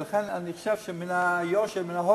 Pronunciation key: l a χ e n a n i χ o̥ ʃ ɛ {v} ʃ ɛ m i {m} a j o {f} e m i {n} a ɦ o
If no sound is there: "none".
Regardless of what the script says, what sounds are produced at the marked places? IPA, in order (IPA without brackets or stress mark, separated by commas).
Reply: v, n, ʃ, n